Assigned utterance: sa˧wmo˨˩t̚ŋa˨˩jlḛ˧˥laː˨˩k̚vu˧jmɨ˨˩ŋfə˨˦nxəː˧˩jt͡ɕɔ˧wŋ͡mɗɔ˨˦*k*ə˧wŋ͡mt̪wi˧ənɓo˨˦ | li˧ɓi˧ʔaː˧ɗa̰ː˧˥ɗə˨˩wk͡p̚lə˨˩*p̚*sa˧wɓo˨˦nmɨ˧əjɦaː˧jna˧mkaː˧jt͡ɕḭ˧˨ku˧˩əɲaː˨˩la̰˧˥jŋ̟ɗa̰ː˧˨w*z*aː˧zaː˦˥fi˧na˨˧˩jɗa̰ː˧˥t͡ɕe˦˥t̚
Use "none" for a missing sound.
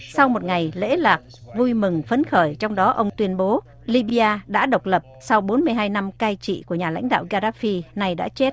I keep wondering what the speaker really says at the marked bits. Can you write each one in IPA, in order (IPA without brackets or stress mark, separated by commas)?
ʔ, p̚, ɣ